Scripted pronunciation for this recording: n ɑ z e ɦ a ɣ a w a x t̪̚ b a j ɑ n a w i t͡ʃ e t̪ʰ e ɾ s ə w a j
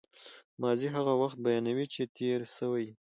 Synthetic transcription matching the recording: m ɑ z i ɦ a ɣ a w a x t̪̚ b a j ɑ n a w i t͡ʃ e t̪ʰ e ɾ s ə w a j